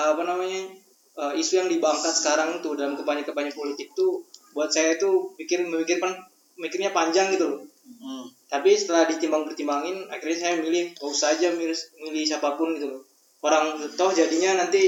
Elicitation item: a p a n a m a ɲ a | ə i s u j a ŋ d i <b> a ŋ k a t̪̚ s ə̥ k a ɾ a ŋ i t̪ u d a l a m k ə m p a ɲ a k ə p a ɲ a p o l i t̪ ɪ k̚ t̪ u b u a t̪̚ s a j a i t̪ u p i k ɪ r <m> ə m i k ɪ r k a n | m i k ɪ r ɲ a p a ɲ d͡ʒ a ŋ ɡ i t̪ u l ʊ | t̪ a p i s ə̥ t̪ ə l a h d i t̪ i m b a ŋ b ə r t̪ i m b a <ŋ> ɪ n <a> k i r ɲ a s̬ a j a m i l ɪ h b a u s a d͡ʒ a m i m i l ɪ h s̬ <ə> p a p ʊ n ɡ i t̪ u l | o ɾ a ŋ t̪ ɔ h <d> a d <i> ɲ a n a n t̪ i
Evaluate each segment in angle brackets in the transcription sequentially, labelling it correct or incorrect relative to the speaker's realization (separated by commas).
correct, correct, correct, correct, incorrect, incorrect, correct